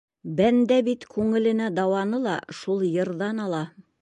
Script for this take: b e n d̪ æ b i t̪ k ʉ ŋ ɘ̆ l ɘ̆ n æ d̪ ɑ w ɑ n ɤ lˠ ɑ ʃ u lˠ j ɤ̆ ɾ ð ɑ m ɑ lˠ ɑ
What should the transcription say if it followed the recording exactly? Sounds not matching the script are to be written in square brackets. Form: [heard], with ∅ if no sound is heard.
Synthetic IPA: b [æ] n d̪ æ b i t̪ k ʉ ŋ ɘ̆ l ɘ̆ n æ d̪ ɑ w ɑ n ɤ lˠ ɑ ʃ u lˠ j ɤ̆ ɾ ð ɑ [n] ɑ lˠ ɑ